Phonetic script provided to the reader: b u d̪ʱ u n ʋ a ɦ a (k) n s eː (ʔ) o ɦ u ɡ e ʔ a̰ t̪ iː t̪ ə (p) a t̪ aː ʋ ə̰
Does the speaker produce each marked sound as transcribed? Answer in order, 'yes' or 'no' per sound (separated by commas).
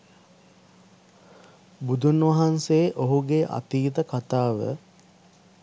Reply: no, yes, no